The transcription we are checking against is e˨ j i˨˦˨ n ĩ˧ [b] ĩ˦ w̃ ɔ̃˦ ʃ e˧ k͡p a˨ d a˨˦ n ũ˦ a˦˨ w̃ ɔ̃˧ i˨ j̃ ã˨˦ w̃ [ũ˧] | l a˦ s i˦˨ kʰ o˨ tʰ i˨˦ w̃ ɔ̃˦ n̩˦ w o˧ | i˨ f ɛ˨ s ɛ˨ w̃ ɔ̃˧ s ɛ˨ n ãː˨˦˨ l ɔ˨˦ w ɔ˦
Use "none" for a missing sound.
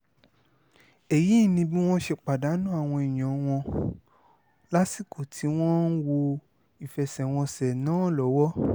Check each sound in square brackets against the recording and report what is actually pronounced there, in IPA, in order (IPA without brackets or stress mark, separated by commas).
b, ɔ̃˧